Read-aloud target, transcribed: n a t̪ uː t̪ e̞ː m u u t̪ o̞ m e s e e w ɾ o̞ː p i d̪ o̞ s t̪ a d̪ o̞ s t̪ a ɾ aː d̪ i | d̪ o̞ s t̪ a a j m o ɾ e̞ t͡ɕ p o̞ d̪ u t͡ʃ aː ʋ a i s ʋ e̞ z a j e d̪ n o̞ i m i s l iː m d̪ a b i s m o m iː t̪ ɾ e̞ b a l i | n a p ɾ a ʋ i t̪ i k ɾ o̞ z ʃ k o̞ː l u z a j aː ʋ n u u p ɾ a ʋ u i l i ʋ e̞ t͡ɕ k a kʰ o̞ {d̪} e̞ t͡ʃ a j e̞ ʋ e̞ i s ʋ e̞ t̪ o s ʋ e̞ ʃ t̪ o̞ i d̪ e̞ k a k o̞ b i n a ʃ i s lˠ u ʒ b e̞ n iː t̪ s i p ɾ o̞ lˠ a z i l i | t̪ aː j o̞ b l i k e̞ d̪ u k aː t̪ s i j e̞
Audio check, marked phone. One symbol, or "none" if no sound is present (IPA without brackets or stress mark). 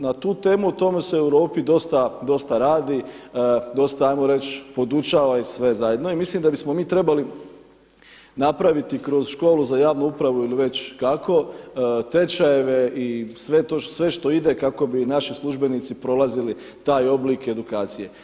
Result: t̪